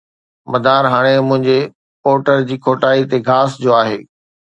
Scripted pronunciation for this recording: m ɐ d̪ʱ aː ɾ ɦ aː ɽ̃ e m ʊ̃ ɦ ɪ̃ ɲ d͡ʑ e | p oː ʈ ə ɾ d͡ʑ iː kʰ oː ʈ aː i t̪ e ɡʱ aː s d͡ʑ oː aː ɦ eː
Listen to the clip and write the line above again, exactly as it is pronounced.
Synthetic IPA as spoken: m ɐ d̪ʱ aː ɾ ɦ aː ɽ̃ e m ʊ̃ ɦ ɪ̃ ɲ d͡ʑ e | p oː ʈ ə ɾ d͡ʑ iː kʰ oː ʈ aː i t̪ e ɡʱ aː s d͡ʑ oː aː ɦ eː